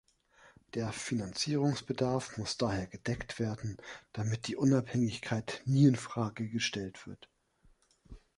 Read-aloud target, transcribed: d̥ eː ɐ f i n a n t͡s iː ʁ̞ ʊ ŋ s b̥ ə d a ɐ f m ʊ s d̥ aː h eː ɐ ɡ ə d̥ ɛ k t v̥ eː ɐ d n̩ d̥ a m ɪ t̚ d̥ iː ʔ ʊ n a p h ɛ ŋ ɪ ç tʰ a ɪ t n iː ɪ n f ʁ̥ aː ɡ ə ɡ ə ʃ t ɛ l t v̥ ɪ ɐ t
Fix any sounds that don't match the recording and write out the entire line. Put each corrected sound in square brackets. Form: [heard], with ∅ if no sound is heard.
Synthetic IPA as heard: d̥ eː ɐ f i n a n t͡s iː ʁ̞ ʊ ŋ s b̥ ə d a ɐ f m ʊ s d̥ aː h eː ɐ ɡ ə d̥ ɛ k t v̥ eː ɐ d n̩ d̥ a m ɪ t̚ d̥ iː ʔ ʊ n a p h ɛ ŋ ɪ ç [kʰ] a ɪ t n iː ɪ n f ʁ̥ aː ɡ ə ɡ ə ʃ t ɛ l t v̥ ɪ ɐ t